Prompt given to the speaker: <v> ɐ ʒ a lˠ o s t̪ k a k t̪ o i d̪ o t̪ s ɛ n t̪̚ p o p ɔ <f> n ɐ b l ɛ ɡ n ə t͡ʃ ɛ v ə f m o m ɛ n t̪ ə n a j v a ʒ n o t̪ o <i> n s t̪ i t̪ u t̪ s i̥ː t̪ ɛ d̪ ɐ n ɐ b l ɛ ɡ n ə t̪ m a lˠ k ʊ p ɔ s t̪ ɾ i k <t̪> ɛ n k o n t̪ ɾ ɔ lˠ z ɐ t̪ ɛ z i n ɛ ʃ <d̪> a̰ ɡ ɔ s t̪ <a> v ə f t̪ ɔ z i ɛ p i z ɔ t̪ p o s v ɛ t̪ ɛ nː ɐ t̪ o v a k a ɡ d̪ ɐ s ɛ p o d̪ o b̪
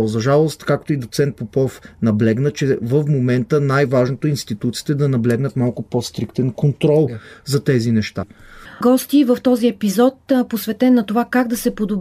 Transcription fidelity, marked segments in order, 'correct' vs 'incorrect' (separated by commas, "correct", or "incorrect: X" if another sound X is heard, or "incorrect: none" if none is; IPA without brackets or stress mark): incorrect: z, correct, correct, correct, incorrect: t̪, incorrect: i